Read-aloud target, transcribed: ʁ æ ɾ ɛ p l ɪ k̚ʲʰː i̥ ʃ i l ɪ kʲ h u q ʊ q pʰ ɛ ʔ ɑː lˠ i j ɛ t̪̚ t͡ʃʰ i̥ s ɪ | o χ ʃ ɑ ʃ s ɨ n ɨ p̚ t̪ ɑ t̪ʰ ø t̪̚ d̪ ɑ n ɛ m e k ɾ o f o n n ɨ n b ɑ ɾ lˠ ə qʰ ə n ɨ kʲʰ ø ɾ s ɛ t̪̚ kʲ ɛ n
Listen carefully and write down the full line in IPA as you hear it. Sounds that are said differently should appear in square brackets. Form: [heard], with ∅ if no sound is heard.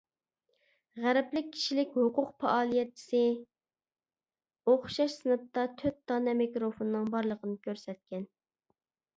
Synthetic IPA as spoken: ʁ æ ɾ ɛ p l ɪ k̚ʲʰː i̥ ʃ i l ɪ kʲ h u q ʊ q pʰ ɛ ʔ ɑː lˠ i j ɛ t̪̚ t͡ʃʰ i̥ s ɪ | o χ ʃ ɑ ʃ s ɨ n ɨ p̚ t̪ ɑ t̪ʰ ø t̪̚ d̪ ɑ n ɛ m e k ɾ o f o n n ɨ [ŋ] b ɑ ɾ lˠ ə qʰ ə n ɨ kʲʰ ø ɾ s ɛ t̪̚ kʲ ɛ n